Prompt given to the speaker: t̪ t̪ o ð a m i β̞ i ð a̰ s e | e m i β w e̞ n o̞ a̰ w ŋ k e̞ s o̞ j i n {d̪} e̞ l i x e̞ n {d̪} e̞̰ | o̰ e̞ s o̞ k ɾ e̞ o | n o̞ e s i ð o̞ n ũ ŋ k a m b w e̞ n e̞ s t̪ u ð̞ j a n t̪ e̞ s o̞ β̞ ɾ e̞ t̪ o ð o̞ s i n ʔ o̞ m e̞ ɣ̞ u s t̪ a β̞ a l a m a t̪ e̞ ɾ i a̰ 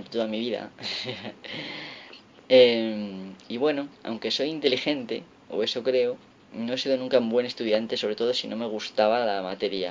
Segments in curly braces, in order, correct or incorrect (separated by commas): incorrect, incorrect